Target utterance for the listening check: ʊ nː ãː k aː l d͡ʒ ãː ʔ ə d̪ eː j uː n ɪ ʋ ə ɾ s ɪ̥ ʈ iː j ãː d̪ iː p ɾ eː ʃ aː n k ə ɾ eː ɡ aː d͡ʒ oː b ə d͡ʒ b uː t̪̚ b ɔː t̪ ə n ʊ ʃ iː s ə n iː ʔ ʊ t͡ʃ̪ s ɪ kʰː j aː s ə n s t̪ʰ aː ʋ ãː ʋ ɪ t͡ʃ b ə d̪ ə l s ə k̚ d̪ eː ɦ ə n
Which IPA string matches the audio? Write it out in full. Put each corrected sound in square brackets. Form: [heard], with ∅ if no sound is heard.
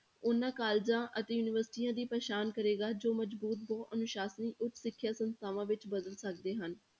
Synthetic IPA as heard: ʊ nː ãː k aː l d͡ʒ ãː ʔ ə [t̪] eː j uː n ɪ ʋ ə ɾ s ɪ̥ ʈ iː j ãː d̪ iː p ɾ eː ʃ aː n k ə ɾ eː ɡ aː d͡ʒ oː [m] ə d͡ʒ b uː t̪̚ b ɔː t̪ ə n ʊ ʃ [aː] s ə n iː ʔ ʊ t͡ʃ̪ s ɪ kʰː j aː s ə n s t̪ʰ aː ʋ ãː ʋ ɪ t͡ʃ b ə d̪ ə l s ə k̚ d̪ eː ɦ ə n